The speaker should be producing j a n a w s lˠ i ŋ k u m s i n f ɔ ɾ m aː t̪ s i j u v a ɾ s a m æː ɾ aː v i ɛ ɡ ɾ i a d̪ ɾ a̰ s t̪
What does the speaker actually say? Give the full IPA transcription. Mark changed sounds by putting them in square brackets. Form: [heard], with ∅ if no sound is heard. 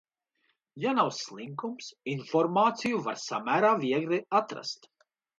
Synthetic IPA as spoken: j a n a w s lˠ i ŋ k u m s i n f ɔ ɾ m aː t̪ s i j u v a ɾ s a m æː ɾ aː v i ɛ ɡ ɾ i a [t̪] ɾ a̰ s t̪